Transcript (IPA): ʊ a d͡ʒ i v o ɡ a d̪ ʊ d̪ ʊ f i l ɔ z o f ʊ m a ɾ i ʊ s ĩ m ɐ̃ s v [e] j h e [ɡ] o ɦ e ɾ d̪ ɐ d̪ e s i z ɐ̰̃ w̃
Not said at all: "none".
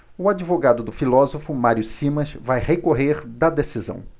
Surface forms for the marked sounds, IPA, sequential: a, k

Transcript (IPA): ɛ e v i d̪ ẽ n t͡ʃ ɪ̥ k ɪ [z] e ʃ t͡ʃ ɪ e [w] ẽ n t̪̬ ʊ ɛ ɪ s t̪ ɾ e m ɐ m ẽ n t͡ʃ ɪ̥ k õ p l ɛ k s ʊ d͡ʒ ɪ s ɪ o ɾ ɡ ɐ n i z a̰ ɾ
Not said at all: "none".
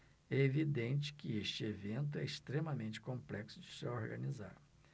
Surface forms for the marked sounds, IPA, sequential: none, v

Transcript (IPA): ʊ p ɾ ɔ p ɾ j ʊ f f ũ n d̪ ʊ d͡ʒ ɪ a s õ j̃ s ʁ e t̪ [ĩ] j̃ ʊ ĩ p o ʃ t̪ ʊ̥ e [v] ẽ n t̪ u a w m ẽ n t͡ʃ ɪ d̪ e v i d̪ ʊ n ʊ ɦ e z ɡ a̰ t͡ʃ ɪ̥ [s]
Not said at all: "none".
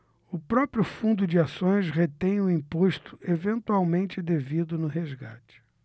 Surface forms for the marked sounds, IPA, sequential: ẽ, v, none

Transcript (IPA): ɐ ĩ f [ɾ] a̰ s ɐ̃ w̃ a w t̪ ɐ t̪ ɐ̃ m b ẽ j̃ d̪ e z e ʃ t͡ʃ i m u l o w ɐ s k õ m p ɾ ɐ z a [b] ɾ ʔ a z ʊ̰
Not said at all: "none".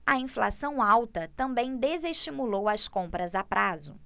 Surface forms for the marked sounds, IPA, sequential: l, p

